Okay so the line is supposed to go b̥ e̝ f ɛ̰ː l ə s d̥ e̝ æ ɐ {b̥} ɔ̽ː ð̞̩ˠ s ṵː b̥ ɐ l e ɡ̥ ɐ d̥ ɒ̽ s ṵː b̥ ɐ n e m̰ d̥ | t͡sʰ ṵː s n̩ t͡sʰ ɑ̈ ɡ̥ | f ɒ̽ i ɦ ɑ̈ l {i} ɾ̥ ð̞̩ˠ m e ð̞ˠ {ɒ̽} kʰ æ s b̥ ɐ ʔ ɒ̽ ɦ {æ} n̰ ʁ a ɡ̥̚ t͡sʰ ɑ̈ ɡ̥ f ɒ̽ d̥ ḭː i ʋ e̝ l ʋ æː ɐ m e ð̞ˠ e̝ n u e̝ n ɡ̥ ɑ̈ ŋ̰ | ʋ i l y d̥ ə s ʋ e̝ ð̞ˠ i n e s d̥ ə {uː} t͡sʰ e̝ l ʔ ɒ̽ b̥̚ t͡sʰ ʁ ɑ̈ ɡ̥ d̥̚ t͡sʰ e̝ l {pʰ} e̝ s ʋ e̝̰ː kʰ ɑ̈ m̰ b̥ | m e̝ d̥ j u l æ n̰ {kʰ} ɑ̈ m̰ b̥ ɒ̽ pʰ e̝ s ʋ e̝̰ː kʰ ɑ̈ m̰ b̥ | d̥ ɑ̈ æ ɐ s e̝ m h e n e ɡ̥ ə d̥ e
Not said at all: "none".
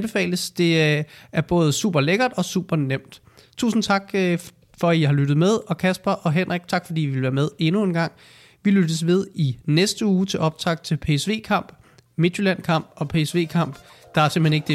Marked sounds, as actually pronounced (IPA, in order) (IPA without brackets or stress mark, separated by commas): b̥, y, ɒ̽, e, uː, pʰ, kʰ